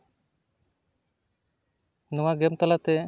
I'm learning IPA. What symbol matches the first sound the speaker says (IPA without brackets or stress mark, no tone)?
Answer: n